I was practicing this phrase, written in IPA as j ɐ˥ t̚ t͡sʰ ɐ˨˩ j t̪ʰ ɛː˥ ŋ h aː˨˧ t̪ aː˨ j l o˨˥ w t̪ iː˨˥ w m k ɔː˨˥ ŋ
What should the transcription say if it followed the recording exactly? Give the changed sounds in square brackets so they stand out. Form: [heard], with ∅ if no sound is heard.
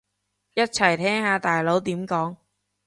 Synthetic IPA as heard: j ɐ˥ t̚ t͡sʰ ɐ˨˩ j t̪ʰ ɛː˥ ŋ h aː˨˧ t̪ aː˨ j l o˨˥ w t̪ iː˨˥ [∅] m k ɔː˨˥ ŋ